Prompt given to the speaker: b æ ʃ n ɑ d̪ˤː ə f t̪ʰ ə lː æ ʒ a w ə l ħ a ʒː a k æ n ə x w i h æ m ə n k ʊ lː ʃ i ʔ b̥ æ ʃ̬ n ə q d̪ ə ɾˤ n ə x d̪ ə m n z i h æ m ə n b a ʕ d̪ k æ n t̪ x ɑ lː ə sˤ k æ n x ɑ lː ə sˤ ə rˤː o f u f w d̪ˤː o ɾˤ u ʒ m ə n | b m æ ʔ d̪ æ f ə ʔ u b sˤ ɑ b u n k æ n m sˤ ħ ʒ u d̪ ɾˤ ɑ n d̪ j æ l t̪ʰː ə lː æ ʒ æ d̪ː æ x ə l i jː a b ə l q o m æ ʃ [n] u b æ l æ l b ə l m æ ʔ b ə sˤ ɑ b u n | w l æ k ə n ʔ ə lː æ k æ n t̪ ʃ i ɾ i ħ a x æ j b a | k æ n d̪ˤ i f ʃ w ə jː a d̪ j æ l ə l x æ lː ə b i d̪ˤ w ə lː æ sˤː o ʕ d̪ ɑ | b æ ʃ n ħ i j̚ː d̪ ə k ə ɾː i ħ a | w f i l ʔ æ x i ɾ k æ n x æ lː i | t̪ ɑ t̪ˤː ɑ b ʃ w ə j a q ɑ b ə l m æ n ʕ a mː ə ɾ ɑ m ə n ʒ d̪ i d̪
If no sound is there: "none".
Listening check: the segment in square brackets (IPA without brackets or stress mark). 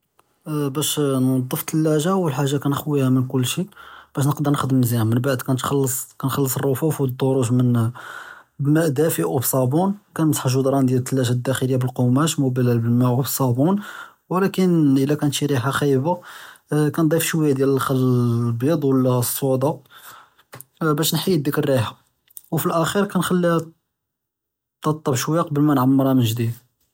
m